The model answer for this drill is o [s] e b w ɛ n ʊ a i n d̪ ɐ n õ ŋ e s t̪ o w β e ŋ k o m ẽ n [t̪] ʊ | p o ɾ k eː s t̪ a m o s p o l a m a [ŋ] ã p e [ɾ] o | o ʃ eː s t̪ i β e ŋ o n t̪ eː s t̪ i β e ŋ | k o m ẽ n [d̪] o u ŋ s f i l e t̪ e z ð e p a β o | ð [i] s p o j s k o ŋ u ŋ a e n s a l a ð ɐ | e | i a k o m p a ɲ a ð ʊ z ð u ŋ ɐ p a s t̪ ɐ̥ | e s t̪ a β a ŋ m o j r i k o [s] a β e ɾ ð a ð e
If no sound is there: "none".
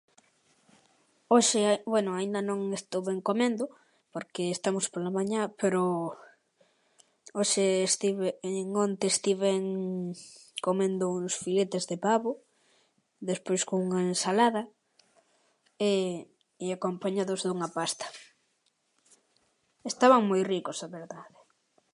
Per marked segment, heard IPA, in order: ʃ, d̪, ɲ, ɾ, d̪, e, s

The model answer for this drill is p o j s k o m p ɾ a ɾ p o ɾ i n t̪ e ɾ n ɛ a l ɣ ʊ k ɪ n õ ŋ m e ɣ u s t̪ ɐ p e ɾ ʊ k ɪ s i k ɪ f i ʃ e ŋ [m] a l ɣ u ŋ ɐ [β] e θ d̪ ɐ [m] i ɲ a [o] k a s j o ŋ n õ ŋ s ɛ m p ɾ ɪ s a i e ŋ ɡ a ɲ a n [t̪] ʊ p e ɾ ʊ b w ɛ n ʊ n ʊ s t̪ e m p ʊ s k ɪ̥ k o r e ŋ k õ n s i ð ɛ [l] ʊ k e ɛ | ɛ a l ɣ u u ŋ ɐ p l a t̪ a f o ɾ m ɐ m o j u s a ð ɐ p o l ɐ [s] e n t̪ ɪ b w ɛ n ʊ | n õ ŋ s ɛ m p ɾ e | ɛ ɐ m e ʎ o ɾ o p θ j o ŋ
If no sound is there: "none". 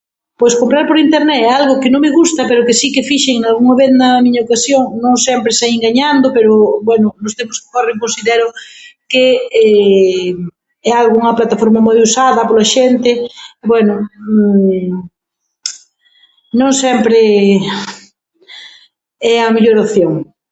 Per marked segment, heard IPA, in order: n, β, m, o, d̪, ɾ, ʃ

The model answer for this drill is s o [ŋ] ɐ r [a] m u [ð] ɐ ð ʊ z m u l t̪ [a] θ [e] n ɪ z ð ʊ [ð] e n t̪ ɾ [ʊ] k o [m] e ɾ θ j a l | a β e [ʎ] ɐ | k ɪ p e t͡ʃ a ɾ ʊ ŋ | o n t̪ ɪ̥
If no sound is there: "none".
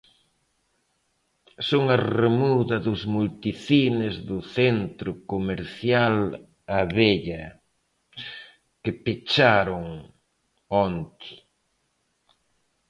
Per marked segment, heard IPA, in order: ŋ, e, ð, i, i, θ, ʊ, m, ʎ

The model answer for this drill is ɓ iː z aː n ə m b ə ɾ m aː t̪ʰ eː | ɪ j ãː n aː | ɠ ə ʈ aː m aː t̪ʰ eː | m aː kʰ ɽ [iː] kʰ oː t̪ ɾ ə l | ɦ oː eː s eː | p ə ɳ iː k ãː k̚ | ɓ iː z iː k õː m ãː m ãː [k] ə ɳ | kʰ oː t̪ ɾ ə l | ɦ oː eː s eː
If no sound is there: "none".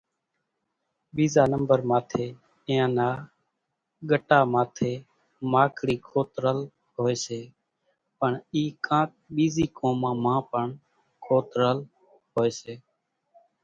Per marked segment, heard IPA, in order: iː, p

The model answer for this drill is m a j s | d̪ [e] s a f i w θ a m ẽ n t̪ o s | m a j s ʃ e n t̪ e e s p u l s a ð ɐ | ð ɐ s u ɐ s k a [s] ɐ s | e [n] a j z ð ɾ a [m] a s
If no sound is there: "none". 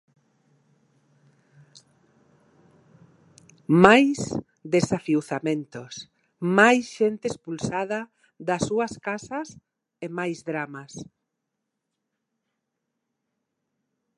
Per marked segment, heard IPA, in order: e, s, m, m

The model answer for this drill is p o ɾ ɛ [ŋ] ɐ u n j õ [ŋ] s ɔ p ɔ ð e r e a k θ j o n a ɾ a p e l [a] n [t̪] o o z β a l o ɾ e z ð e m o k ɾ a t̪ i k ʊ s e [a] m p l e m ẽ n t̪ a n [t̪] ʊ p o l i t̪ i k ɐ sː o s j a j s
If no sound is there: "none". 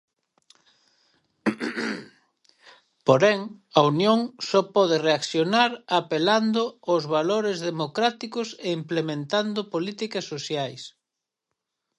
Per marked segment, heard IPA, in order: ŋ, ŋ, a, d̪, i, d̪

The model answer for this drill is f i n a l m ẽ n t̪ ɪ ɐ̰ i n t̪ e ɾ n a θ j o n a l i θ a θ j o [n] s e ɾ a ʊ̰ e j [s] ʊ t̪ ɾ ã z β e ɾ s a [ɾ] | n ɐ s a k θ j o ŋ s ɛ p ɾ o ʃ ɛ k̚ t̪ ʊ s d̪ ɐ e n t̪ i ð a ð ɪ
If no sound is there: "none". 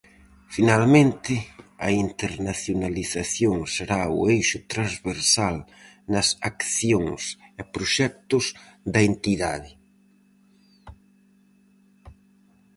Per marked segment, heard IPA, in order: ŋ, ʃ, l

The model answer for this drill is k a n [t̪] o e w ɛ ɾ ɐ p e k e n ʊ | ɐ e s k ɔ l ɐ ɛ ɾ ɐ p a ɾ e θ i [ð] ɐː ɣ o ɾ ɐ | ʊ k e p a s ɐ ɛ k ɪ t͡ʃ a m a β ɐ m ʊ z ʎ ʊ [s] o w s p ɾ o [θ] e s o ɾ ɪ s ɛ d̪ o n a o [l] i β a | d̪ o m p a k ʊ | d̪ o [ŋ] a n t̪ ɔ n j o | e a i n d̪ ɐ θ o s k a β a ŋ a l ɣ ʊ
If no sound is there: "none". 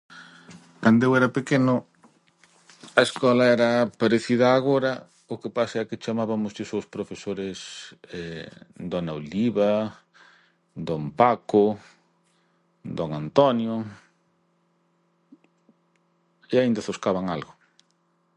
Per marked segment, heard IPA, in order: d̪, ð, s, f, l, ŋ

